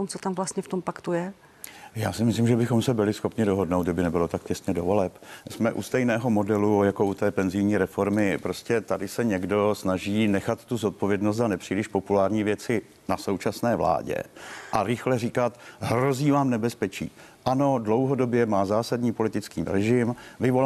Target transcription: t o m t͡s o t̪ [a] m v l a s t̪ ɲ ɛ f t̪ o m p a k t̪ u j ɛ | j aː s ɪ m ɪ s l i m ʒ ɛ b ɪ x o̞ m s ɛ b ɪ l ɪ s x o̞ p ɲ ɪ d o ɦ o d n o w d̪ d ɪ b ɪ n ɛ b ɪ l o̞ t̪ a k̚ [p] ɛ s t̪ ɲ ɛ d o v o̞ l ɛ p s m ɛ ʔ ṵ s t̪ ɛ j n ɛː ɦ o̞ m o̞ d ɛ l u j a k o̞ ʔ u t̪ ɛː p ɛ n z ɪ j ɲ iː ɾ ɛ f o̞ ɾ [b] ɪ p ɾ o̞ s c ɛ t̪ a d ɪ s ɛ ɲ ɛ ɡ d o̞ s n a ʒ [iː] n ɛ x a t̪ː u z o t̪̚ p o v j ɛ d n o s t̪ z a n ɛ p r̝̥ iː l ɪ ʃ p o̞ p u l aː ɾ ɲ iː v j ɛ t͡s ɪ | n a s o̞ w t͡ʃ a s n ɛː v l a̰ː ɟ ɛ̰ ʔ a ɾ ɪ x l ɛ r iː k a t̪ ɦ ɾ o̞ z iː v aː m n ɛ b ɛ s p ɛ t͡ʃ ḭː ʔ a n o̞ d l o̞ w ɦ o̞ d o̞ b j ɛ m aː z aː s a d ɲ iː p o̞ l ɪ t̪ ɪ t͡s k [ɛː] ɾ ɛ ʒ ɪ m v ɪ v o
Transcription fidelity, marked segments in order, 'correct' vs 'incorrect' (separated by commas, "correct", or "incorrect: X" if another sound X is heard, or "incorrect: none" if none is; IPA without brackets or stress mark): correct, incorrect: c, incorrect: m, correct, incorrect: iː